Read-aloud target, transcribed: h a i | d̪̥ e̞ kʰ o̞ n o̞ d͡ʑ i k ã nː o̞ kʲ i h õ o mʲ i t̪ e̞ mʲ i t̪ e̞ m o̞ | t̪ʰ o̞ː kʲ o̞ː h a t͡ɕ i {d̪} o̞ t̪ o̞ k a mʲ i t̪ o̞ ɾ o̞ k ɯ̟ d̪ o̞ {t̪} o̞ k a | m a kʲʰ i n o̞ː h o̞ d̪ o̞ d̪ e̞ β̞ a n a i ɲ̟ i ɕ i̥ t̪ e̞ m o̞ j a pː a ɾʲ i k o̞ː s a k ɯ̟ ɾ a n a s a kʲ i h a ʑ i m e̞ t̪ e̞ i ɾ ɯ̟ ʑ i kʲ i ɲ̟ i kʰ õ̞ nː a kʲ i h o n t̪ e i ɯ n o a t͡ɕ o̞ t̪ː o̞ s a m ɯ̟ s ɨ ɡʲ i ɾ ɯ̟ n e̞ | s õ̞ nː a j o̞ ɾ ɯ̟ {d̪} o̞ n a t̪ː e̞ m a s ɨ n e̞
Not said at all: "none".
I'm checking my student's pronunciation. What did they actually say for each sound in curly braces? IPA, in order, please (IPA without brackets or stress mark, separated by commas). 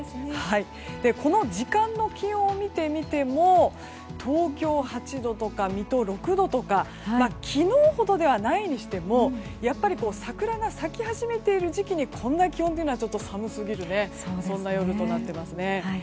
d̪, t̪, t̪